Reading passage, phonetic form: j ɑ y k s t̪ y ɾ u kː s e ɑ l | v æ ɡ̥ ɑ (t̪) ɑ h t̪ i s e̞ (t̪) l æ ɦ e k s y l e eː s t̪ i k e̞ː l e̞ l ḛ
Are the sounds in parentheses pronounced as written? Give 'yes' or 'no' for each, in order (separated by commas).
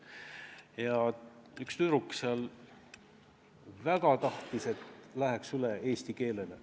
yes, yes